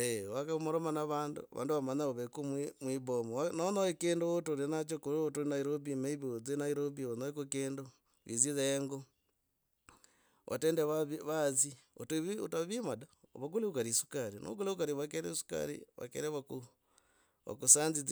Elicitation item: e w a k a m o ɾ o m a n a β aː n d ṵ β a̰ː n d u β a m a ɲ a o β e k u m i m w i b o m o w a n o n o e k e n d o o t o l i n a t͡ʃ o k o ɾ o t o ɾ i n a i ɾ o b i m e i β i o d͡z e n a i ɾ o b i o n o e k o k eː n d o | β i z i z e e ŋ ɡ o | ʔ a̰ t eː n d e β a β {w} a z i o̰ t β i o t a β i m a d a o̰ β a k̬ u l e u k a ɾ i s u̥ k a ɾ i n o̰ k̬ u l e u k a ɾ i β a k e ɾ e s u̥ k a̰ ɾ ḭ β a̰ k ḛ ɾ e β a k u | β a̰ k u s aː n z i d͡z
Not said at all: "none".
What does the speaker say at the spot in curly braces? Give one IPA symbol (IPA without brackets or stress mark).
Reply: β